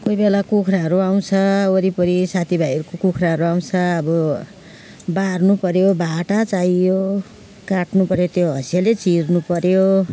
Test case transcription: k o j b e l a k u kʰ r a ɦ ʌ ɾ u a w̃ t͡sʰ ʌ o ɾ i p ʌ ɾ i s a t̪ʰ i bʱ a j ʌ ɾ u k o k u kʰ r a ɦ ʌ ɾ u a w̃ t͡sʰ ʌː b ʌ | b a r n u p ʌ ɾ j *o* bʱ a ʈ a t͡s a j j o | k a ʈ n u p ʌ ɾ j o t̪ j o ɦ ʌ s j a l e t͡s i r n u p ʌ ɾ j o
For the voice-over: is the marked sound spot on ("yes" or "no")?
yes